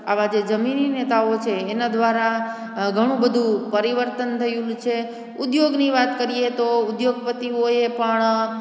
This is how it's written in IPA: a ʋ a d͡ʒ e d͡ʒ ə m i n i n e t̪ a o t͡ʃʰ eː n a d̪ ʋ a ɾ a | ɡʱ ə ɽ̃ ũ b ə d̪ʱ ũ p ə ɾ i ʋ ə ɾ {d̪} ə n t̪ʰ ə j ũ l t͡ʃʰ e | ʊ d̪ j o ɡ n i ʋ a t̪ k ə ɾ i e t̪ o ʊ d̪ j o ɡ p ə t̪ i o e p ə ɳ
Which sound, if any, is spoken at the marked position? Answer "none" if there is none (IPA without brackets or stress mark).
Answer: t̪